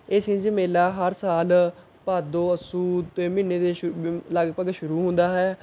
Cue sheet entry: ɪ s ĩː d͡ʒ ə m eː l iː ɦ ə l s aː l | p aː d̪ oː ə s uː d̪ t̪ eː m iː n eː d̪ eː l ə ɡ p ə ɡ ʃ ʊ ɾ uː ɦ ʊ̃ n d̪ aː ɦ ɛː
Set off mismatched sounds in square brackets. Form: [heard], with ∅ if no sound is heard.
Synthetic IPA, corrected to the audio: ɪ s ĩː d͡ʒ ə m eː l [aː] ɦ ə [ɾ] s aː l | p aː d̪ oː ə s uː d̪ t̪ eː m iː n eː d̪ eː l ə ɡ p ə ɡ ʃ ʊ ɾ uː ɦ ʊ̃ n d̪ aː ɦ ɛː